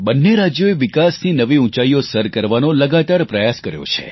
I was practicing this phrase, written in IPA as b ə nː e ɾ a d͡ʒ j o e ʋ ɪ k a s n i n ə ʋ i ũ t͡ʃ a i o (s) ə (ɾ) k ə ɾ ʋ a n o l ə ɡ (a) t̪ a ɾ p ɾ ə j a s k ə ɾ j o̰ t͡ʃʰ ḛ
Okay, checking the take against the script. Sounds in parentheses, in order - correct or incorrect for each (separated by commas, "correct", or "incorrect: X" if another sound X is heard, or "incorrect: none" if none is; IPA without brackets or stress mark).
correct, correct, correct